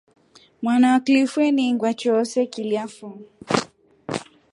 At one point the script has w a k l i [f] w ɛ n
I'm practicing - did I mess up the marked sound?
no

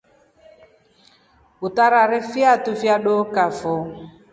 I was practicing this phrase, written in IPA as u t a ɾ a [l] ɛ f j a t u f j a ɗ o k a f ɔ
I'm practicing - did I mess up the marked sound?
yes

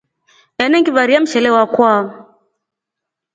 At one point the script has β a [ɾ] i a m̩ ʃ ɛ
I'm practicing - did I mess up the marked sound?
no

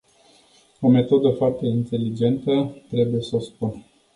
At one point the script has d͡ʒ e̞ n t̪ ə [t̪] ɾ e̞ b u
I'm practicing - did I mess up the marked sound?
no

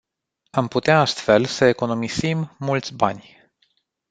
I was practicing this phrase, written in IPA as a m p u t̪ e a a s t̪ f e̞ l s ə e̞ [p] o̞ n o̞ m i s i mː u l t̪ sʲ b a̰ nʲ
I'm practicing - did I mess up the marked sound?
yes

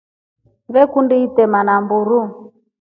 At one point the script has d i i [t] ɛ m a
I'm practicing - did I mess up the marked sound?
no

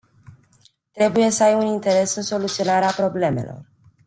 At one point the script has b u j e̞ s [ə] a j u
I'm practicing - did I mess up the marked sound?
no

